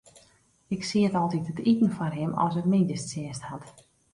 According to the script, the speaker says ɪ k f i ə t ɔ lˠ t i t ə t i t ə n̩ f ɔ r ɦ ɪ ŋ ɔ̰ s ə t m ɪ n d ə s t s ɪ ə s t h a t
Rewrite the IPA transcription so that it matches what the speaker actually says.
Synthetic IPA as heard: ɪ k s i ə t ɔ lˠ t i t ə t i t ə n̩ f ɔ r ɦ ɪ m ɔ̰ s ə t m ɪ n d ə s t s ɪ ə s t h a t